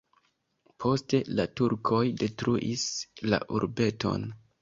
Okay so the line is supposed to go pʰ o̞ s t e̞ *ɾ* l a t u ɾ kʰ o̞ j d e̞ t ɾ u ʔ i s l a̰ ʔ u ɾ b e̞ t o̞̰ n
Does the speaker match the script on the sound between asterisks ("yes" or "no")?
no